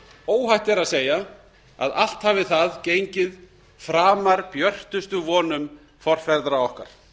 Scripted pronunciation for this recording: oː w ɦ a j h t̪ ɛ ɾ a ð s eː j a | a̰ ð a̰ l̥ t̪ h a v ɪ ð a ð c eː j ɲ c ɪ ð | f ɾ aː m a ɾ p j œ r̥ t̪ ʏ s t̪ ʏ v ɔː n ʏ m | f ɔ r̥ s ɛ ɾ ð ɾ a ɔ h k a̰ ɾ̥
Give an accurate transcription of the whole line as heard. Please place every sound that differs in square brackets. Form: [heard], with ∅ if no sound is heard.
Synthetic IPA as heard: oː w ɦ a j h t̪ ɛ ɾ a ð s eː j a | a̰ ð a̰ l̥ t̪ h a v ɪ [θ] a ð c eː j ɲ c ɪ ð | f ɾ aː m a ɾ p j œ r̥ t̪ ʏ s t̪ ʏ v ɔː n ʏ m | f ɔ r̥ [f] ɛ ɾ ð ɾ a ɔ h k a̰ ɾ̥

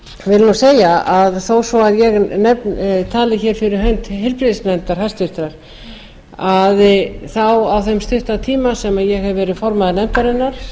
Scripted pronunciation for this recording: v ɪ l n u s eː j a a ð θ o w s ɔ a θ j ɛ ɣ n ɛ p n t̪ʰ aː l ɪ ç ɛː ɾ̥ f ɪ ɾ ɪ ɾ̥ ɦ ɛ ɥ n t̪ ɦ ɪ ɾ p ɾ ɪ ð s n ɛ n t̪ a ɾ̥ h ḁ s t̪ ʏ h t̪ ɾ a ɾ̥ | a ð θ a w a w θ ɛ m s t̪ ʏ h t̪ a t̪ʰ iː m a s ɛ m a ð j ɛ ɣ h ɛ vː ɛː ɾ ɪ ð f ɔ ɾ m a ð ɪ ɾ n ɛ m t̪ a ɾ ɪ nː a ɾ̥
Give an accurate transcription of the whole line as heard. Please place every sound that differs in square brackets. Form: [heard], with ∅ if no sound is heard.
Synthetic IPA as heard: v ɪ l n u s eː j a a ð θ o w s ɔ a [ð] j ɛ ɣ n ɛ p n t̪ʰ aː l ɪ ç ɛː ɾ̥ f ɪ ɾ ɪ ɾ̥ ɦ [œ] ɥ n t̪ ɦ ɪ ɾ p ɾ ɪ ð s n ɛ n t̪ a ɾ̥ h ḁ s t̪ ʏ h t̪ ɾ a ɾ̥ | a ð θ a w a w θ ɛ m s t̪ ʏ h t̪ a t̪ʰ iː m a s ɛ m a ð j ɛ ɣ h ɛ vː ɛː ɾ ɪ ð f ɔ ɾ m a ð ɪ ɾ n ɛ m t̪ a ɾ ɪ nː a ɾ̥

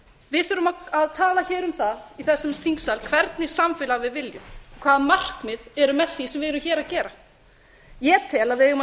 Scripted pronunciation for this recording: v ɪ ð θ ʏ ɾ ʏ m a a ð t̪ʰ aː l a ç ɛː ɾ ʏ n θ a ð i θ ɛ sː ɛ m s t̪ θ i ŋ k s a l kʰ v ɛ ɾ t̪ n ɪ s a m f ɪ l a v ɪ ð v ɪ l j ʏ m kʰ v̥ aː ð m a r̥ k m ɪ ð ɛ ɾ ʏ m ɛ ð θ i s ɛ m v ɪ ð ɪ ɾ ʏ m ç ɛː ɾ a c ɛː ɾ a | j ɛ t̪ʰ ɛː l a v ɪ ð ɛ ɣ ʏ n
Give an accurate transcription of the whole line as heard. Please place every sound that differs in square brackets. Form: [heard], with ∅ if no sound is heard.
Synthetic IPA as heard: v ɪ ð θ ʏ ɾ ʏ m a a ð t̪ʰ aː l a ç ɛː ɾ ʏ [m] θ a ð i θ ɛ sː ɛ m s t̪ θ i ŋ k s a l kʰ v ɛ ɾ t̪ n ɪ s a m f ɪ l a v ɪ ð v ɪ l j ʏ m kʰ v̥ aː ð m a r̥ k m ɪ ð ɛ ɾ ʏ m ɛ ð θ i s ɛ m v ɪ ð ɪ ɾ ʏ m ç ɛː ɾ a c ɛː ɾ a | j ɛ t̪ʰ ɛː l a v ɪ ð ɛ ɣ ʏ [m]

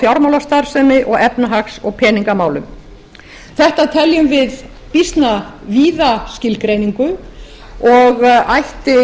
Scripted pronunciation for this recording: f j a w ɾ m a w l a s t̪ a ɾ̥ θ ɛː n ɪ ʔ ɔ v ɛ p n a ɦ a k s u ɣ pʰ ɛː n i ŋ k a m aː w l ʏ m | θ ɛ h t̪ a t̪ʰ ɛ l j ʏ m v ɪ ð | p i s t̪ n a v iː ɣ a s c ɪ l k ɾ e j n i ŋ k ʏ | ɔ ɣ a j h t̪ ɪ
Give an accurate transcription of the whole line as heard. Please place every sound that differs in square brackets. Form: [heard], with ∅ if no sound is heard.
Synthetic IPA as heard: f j a w ɾ m a w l a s t̪ a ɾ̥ [s] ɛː [m] ɪ ʔ ɔ [ɣ] ɛ p n a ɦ a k s [ɔ] ɣ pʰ ɛː n i ŋ k a m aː w l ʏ m | θ ɛ h t̪ a t̪ʰ ɛ l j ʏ m v ɪ ð | p i s t̪ n a v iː [ð] a s c ɪ l k ɾ e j n i ŋ k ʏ | ɔ ɣ a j h t̪ ɪ

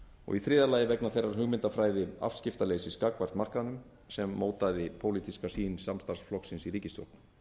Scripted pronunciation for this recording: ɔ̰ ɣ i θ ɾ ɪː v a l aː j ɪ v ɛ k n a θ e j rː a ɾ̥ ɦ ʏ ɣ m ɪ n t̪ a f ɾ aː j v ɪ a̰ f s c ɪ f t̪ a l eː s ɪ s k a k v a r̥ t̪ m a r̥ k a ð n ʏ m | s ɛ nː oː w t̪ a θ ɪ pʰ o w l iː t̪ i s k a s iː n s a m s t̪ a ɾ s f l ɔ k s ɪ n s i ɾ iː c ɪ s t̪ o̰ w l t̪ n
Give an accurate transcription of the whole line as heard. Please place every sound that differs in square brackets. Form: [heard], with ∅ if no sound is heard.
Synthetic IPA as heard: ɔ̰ ɣ i θ ɾ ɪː [ð] a l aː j ɪ v ɛ k n a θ e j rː a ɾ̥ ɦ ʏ ɣ m ɪ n t̪ a f ɾ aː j [ð] ɪ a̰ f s c ɪ f t̪ a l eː s ɪ s k a k v a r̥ t̪ m a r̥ k a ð n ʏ m | s ɛ [mː] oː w t̪ a [ð] ɪ pʰ o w l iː t̪ i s k a s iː n s a m s t̪ a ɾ s f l ɔ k s ɪ n s i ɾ iː c ɪ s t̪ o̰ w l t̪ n

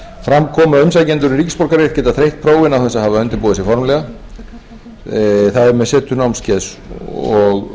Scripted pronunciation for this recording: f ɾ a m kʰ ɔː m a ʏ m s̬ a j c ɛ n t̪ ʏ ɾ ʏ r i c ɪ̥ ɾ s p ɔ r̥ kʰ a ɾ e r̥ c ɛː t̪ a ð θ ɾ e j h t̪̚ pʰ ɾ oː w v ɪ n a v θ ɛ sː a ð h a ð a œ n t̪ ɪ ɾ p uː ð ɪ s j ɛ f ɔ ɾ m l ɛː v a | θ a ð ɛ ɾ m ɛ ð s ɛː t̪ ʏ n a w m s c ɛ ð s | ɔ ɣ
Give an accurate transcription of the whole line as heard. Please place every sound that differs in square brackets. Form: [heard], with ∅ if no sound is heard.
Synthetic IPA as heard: f ɾ a m kʰ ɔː m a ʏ m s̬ a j c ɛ n t̪ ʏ ɾ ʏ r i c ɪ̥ [∅] s p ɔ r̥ [k] a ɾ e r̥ c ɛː t̪ a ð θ ɾ e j h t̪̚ pʰ ɾ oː w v ɪ n a [w] θ ɛ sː a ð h a [v] a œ n t̪ ɪ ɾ p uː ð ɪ s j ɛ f ɔ ɾ m l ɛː [ɣ] a | θ a ð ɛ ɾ m ɛ ð s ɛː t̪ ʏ n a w m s c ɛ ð s | ɔ ɣ

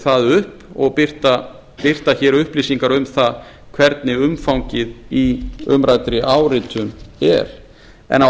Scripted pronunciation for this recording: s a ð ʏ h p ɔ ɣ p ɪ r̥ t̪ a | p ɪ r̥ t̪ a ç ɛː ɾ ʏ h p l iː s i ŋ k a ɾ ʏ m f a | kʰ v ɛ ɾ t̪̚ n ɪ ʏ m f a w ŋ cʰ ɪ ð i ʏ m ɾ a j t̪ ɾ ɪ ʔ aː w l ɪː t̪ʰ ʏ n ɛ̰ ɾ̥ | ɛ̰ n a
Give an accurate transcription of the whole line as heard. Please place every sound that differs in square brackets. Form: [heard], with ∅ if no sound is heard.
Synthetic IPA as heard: [θ] a ð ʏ h p ɔ ɣ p ɪ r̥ t̪ a | p ɪ r̥ t̪ a ç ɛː ɾ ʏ h p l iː s i ŋ k a ɾ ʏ m [θ] a | kʰ v ɛ ɾ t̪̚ n ɪ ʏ m f a w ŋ [c] ɪ ð i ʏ m ɾ a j t̪ ɾ ɪ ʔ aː w [ɾ] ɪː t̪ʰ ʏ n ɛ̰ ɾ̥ | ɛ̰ n a

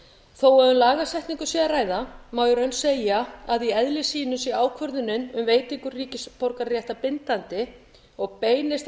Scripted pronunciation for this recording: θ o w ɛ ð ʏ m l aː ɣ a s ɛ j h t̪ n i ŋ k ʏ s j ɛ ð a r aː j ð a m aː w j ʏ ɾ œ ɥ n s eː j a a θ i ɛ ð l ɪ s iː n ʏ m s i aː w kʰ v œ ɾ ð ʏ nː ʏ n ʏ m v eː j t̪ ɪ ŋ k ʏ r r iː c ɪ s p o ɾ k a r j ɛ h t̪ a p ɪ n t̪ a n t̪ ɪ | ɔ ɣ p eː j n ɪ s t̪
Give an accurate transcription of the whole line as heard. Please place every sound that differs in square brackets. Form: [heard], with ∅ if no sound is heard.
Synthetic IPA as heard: θ o w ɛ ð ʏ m l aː ɣ a s ɛ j h t̪ n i ŋ k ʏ s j ɛ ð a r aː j ð a m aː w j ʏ ɾ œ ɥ n s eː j a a [ð] i ɛ ð l ɪ s iː n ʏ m s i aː w kʰ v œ ɾ ð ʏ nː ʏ n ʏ m v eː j t̪ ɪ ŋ k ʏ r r iː c ɪ s p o ɾ k a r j ɛ h t̪ a p ɪ n t̪ a n t̪ ɪ | ɔ ɣ p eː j n ɪ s t̪

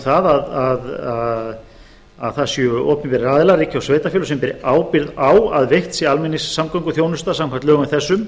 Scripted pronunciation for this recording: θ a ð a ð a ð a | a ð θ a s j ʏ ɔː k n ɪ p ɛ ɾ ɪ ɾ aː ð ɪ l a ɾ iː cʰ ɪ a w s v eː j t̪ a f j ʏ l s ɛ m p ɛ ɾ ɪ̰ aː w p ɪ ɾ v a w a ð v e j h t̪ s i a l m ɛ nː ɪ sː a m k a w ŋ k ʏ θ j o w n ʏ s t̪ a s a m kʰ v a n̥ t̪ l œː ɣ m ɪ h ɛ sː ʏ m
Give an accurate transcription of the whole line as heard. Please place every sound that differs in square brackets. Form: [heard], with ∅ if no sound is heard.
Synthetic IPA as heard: θ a ð a ð a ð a | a ð θ a s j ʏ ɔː [p] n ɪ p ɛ ɾ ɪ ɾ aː ð ɪ l a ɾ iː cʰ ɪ a w s v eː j t̪ a f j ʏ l s ɛ m p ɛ ɾ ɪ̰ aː w p ɪ ɾ [ð] a w a ð v e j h t̪ s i a l m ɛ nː ɪ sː a m k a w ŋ k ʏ θ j o w n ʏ s t̪ a s a m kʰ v a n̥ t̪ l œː ɣ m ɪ [θ] ɛ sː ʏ m

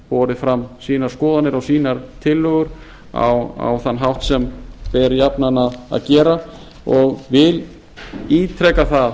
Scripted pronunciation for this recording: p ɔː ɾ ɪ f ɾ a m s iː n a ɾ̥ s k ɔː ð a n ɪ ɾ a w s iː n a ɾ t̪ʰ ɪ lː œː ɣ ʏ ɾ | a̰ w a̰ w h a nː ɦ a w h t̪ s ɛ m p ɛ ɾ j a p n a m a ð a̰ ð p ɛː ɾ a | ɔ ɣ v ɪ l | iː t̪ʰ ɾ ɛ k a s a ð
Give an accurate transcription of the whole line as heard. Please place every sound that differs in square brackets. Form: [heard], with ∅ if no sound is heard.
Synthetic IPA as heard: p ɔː ɾ ɪ f ɾ a m s iː n a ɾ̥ s k ɔː ð a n ɪ ɾ a w s iː n a ɾ t̪ʰ ɪ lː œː ɣ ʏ ɾ | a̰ w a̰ w [θ] a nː ɦ a w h t̪ s ɛ m p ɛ ɾ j a p n a [n] a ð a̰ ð [c] ɛː ɾ a | ɔ ɣ v ɪ l | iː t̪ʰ ɾ ɛ k a [θ] a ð

